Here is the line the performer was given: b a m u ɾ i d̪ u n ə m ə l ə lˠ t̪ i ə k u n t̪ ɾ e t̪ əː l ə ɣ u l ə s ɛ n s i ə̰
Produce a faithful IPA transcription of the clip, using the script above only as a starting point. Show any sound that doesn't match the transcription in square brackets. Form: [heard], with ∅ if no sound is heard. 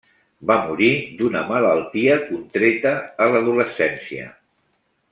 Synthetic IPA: b a m u ɾ i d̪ u n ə m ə l ə lˠ t̪ i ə k u n t̪ ɾ e t̪ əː l ə [ð] u l ə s ɛ n s i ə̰

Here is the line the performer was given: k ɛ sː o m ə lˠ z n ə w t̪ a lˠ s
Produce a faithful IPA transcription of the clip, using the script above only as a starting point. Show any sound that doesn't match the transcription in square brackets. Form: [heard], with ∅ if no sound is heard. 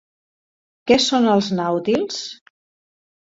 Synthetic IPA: k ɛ [s] o [n] ə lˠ z n [a] w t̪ [i] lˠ s

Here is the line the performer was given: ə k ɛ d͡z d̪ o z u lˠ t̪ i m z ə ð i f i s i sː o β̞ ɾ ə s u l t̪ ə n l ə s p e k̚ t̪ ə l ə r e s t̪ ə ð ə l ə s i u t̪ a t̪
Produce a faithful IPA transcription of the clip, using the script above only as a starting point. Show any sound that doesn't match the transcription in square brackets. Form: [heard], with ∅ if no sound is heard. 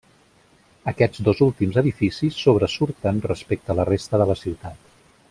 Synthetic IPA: ə k ɛ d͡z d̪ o z u lˠ t̪ i m z ə ð i f i s i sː o β̞ ɾ ə s u [ɾ] t̪ ə n [r] ə s p e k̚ t̪ ə l ə r e s t̪ ə ð ə l ə s i [w] t̪ a t̪

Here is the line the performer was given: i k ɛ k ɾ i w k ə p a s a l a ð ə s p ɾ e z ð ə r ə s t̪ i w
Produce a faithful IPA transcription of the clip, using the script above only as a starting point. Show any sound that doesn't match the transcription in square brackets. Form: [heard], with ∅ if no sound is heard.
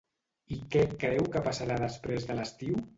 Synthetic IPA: i k ɛ k ɾ [ɛ] w k ə p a s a [ɾ] a ð ə s p ɾ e z ð ə [l] ə s t̪ i w

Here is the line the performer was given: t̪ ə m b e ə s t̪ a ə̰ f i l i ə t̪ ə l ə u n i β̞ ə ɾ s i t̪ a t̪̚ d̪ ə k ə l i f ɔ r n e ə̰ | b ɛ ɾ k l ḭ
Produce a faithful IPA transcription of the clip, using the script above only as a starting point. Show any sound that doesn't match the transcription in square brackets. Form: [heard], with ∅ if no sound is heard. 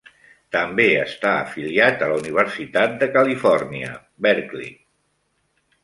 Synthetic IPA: t̪ ə m b e ə s t̪ a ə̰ f i l i [a] t̪ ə l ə u n i β̞ ə ɾ s i t̪ a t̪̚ d̪ ə k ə l i f ɔ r n [i] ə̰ | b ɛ ɾ k l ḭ

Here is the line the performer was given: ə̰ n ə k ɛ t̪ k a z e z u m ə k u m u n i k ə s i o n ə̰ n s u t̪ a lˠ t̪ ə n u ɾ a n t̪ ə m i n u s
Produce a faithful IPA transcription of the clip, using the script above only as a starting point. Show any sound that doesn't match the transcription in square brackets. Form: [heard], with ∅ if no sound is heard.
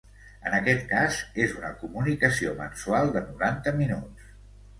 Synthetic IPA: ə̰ n ə k ɛ t̪ k a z e z u [n] ə k u m u n i k ə s i o [m] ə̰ n s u [∅] a lˠ [d̪] ə n u ɾ a n t̪ ə m i n u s

